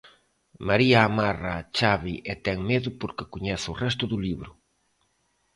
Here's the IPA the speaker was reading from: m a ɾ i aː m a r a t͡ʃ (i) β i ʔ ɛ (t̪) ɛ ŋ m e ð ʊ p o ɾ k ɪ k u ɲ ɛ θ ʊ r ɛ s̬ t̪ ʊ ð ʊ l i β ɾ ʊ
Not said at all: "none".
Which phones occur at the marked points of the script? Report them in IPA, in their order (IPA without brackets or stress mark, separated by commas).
a, t̪